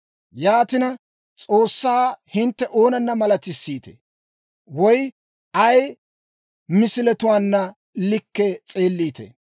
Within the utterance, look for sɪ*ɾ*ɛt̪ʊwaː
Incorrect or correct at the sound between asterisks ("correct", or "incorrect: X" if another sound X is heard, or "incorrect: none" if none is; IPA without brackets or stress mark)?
incorrect: l